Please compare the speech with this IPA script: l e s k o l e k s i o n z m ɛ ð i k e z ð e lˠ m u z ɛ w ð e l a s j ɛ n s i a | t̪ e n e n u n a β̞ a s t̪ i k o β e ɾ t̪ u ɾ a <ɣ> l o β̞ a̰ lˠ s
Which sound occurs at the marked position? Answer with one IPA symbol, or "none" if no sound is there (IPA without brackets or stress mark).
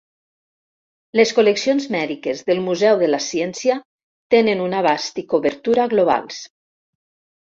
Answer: ɣ